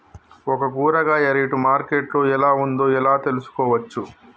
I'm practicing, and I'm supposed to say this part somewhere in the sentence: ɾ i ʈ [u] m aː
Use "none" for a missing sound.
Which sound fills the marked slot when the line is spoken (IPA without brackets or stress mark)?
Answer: u